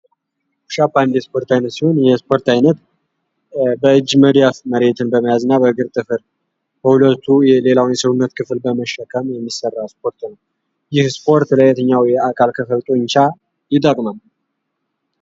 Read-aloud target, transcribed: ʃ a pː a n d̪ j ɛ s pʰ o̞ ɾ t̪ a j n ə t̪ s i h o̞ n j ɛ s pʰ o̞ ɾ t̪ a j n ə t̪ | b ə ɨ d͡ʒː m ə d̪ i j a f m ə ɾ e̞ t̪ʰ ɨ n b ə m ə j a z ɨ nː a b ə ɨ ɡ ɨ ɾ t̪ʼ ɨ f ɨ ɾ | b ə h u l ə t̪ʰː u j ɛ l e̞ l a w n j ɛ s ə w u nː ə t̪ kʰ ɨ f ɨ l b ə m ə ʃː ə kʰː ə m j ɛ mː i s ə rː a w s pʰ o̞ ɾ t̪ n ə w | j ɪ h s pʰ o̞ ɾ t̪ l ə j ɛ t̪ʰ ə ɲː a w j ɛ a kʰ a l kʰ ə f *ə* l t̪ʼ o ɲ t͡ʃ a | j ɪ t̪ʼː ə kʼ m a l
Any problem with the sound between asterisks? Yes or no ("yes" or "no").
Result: no